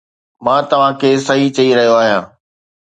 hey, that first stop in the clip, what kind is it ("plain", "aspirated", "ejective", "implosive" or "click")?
plain